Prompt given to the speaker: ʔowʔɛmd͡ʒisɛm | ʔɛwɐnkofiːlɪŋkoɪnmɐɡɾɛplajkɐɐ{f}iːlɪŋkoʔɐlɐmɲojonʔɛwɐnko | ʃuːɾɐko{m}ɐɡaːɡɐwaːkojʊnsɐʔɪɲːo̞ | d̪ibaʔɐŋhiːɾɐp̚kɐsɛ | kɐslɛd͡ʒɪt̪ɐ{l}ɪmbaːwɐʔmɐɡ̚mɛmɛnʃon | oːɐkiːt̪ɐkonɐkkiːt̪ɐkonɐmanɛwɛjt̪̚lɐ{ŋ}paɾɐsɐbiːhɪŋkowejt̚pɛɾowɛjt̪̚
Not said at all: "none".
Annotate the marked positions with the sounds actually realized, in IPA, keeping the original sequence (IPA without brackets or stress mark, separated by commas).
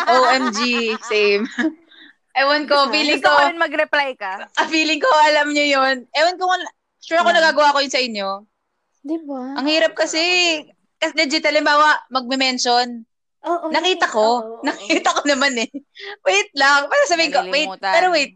f, n, l, ŋ